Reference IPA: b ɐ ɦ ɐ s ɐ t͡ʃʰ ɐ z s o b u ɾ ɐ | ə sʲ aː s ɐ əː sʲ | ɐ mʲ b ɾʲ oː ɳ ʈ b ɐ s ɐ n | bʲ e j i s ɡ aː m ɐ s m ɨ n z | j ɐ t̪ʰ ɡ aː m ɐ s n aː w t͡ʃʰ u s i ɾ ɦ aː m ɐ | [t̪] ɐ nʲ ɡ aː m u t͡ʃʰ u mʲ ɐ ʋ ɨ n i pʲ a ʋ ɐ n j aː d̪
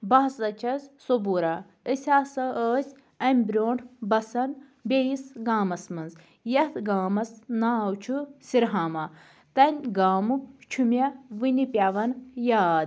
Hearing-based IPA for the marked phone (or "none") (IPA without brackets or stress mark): t̪